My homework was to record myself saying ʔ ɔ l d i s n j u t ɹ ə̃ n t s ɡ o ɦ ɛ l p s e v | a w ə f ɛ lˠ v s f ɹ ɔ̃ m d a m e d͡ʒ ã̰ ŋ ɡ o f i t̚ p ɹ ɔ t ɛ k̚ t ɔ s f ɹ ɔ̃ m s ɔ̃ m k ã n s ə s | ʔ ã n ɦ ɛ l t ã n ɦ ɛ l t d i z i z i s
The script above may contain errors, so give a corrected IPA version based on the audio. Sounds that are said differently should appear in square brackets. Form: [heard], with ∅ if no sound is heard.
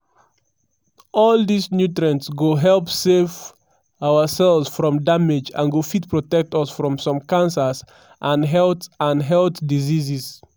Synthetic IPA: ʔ ɔ l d i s n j u t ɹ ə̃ n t s ɡ o ɦ ɛ l p s e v | a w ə [s] ɛ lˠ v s f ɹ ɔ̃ m d a m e d͡ʒ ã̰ [n] ɡ o f i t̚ p ɹ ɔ t ɛ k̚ t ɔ s f ɹ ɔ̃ m s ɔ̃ m k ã n s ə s | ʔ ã n ɦ ɛ l t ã n ɦ ɛ l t d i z i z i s